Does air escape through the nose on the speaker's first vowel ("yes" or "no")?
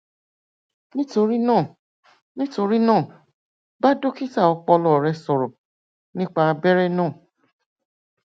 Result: yes